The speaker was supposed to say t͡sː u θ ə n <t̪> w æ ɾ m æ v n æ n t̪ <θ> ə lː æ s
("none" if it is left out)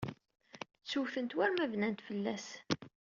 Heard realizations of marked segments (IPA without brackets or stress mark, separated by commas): t̪, f